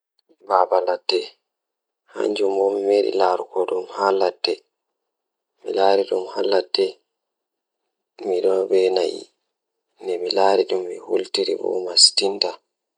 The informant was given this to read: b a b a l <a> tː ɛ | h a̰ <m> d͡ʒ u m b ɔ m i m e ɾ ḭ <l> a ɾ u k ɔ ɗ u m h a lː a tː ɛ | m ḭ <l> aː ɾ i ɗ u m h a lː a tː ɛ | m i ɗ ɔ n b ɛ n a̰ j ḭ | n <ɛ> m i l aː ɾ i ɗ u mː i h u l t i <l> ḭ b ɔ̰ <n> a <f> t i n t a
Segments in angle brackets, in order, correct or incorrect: correct, incorrect: ɲ, correct, correct, correct, incorrect: ɾ, incorrect: m, incorrect: s

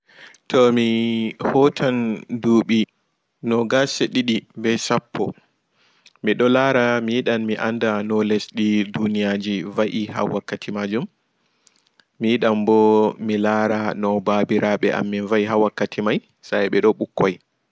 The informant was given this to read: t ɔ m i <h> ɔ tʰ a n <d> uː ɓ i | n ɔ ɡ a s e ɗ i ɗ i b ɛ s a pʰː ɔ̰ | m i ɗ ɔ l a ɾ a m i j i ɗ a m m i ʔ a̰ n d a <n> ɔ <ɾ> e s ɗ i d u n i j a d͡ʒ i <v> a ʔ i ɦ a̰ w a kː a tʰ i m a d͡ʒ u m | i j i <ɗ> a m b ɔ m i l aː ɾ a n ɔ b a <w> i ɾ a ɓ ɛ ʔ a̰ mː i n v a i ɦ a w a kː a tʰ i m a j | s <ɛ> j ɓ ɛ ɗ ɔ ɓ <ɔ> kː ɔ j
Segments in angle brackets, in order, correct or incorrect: correct, correct, correct, incorrect: l, correct, correct, incorrect: b, incorrect: a, incorrect: u

